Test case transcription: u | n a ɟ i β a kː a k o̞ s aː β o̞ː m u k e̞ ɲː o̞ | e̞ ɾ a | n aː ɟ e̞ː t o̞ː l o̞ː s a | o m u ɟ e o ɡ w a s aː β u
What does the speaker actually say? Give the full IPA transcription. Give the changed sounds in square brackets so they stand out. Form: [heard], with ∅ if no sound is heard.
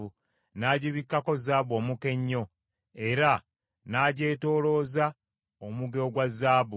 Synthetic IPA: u | n a ɟ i β [i] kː a k o̞ [z] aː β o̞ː m u k e̞ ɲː o̞ | e̞ ɾ a | n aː ɟ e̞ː t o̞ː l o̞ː [z] a | o m u [ɡ] e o ɡ w a [z] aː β u